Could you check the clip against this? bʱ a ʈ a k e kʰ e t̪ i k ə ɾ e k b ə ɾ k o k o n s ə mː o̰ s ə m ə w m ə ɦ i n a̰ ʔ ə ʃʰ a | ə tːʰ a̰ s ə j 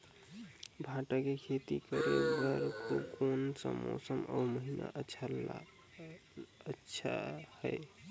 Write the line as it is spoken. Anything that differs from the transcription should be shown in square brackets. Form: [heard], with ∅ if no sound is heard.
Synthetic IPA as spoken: bʱ a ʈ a k e kʰ e t̪ i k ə ɾ e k b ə ɾ k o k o n s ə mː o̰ s ə m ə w m ə ɦ i n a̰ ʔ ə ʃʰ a | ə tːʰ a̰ [h] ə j

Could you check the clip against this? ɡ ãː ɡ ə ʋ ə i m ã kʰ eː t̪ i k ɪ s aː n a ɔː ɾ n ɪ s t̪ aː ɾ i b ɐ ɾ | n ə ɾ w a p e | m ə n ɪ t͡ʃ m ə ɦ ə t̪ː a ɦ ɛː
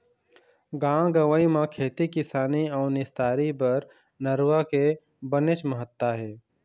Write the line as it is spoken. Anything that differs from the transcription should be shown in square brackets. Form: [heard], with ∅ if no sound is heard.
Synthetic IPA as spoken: ɡ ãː ɡ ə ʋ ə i m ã kʰ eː t̪ i k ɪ s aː n [i] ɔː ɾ n ɪ s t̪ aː ɾ i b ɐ ɾ | n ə ɾ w a [k] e | [b] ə n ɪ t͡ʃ m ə ɦ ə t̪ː a ɦ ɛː

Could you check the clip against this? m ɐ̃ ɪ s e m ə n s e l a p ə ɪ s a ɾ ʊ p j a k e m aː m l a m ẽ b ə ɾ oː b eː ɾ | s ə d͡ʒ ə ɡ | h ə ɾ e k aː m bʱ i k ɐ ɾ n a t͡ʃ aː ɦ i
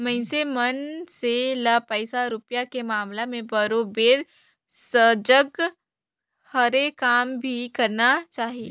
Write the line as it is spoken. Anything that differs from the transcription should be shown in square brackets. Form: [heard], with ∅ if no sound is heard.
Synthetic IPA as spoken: m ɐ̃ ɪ s e m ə n s e l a p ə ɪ s a ɾ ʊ p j a k e m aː m l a m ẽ b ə ɾ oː b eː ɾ | s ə d͡ʒ ə ɡ | h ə ɾ e k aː m bʱ i k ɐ ɾ n a t͡ʃ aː ɦ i

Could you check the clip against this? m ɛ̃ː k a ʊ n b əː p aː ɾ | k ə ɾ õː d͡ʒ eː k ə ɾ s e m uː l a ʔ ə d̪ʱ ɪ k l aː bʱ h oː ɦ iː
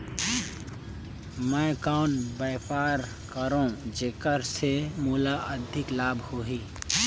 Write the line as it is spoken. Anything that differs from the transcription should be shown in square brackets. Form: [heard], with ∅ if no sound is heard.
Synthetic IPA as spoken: m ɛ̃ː k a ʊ n b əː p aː ɾ | k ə ɾ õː d͡ʒ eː k ə ɾ s e m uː l a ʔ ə d̪ʱ ɪ k l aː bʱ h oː ɦ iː

